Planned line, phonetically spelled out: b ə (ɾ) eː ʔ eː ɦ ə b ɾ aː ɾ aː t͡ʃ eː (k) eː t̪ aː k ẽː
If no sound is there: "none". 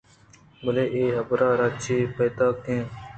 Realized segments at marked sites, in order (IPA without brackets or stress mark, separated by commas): l, p